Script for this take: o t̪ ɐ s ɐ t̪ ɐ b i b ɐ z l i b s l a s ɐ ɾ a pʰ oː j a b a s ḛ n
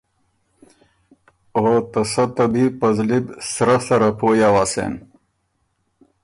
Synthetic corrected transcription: o t̪ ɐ s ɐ t̪ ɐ b i p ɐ z l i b s ɾ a s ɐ ɾ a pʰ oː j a w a s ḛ n